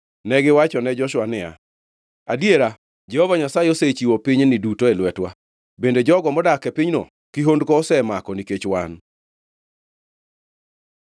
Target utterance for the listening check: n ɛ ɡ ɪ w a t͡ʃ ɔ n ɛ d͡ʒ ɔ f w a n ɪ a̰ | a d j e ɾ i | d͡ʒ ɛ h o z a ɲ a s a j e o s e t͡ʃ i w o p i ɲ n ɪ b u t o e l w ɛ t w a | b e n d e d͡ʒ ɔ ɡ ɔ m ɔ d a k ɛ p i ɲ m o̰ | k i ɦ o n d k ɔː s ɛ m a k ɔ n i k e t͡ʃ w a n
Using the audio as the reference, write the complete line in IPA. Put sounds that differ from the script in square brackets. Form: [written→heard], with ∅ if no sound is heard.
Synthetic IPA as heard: n ɛ ɡ ɪ w a t͡ʃ ɔ n ɛ d͡ʒ ɔ [f→ʃ] w a n ɪ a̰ | a d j e ɾ [i→a] | d͡ʒ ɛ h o [z→v] a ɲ a s a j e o s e t͡ʃ i w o p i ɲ n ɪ [b→d] u t o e l w ɛ t w a | b e n d e d͡ʒ ɔ ɡ ɔ m ɔ d a k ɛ p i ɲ [m→n] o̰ | k i ɦ o n d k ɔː s ɛ m a k ɔ n i k e t͡ʃ w a n